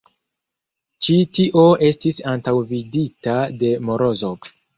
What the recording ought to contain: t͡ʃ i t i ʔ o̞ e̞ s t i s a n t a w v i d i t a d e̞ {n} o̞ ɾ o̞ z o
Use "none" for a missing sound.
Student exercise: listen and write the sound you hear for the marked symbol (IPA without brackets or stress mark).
m